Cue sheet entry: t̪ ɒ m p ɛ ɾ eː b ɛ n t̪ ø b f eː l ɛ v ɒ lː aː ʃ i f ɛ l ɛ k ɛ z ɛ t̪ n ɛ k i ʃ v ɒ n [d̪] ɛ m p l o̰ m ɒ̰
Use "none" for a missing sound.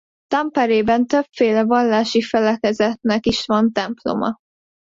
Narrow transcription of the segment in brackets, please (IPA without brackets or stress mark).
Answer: t̪